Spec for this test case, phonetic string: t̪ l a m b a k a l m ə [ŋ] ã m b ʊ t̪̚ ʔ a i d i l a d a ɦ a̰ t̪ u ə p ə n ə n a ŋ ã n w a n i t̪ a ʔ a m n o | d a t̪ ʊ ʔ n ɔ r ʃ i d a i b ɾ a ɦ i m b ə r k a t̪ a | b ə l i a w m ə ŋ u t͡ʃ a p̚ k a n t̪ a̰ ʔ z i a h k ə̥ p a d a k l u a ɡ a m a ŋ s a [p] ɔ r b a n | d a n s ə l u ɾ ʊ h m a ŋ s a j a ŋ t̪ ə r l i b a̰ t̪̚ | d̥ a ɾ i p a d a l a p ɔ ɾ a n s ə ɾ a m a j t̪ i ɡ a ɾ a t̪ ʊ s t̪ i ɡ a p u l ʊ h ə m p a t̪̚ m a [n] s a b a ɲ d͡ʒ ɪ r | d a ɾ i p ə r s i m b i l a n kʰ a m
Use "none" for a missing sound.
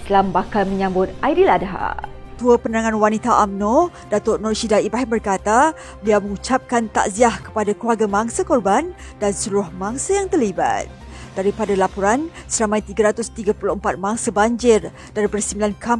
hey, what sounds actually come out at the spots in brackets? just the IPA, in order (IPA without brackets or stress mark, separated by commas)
ɲ, k, ŋ